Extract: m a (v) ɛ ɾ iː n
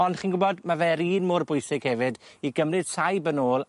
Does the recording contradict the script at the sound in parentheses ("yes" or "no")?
no